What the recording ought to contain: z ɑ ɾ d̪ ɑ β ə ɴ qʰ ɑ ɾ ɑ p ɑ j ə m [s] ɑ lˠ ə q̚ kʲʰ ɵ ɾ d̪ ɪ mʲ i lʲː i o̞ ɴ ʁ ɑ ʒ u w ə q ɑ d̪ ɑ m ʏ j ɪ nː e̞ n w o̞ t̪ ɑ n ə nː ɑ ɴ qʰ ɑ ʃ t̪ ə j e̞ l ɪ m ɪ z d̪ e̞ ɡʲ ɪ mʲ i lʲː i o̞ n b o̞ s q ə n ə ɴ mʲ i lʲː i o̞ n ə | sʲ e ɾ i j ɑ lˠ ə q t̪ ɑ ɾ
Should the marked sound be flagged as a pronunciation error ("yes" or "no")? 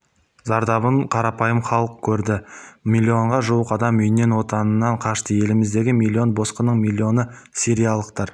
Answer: yes